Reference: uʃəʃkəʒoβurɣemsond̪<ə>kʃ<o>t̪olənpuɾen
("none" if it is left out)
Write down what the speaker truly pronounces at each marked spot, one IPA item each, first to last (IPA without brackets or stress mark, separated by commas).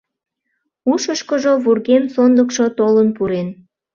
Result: ə, o